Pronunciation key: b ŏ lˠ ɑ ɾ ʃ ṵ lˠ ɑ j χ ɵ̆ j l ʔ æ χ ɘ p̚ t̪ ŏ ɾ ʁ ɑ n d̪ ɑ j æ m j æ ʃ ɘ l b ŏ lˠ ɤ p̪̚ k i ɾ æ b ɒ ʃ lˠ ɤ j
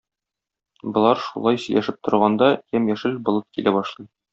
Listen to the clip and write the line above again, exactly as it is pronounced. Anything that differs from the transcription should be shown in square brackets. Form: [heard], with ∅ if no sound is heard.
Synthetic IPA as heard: b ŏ lˠ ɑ ɾ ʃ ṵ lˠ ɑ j [s] ɵ̆ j l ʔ æ [ʃ] ɘ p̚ t̪ ŏ ɾ ʁ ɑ n d̪ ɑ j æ m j æ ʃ ɘ l b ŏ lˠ ɤ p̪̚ k i [l] æ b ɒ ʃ lˠ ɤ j